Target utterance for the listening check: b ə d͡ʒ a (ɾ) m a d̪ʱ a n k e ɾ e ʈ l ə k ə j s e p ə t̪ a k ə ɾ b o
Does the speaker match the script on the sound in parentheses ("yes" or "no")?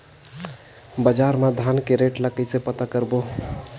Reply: yes